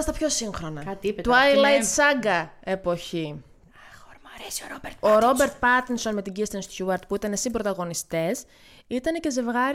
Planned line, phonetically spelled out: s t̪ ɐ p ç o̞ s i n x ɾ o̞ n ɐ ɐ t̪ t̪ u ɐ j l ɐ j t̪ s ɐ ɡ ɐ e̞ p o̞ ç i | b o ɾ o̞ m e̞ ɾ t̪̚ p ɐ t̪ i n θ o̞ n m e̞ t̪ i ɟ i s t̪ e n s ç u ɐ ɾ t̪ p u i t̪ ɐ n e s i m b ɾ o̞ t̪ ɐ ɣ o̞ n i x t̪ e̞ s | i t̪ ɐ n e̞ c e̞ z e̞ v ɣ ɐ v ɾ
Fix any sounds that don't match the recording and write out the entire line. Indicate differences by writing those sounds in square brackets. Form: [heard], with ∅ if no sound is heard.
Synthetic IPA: s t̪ ɐ p ç o̞ s i [ŋ] x ɾ o̞ n ɐ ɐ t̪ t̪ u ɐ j l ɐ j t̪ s ɐ ɡ ɐ e̞ p o̞ ç i | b o ɾ o̞ [b] e̞ ɾ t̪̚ p ɐ t̪ i n [s] o̞ n m e̞ t̪ i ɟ i s t̪ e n s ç u ɐ ɾ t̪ p u i t̪ ɐ n e s i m b ɾ o̞ t̪ ɐ ɣ o̞ n i [s] t̪ e̞ s | i t̪ ɐ n e̞ c e̞ z e̞ v ɣ ɐ [∅] ɾ